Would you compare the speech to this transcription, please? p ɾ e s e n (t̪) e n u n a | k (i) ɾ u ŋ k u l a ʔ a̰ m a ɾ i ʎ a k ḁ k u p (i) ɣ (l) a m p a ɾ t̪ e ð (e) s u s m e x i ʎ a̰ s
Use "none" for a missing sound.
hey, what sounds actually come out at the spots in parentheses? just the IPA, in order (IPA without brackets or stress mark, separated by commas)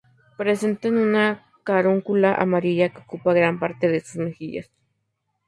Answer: t̪, a, a, ɾ, e